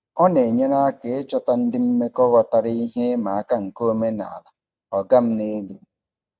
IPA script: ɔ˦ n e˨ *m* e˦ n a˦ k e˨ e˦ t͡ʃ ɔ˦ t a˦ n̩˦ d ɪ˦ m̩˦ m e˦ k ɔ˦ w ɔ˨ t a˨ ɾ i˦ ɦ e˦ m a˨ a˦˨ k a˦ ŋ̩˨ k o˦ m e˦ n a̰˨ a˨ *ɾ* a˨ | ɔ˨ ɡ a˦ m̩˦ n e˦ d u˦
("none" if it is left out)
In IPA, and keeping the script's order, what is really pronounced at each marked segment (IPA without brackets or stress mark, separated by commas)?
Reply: ɲ, l